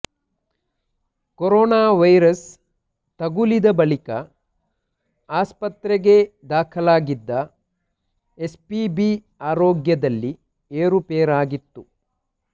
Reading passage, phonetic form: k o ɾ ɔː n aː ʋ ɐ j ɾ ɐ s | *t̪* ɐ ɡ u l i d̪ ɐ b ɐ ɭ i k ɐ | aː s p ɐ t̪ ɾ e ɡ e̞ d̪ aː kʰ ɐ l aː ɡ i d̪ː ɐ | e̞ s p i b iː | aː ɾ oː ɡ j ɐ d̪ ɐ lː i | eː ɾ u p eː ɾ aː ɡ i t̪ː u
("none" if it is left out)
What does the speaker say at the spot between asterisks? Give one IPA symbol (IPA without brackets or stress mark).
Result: t̪